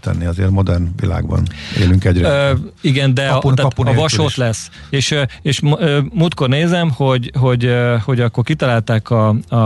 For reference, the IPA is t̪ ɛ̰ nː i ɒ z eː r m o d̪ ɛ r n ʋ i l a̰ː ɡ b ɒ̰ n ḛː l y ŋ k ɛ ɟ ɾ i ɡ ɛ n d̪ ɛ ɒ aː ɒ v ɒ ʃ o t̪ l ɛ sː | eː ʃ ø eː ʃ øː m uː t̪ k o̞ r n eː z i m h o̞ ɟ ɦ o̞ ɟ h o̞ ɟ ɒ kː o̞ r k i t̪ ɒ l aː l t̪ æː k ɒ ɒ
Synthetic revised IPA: t̪ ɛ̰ nː i ɒ z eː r m o d̪ ɛ r n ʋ i l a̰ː ɡ b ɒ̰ n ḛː l y ŋ k ɛ ɟ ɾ i ɡ ɛ n d̪ ɛ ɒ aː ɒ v ɒ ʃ o t̪ l ɛ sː | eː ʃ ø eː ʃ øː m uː t̪ k o̞ r n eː z ɛ m h o̞ ɟ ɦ o̞ ɟ h o̞ ɟ ɒ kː o̞ r k i t̪ ɒ l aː l t̪ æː k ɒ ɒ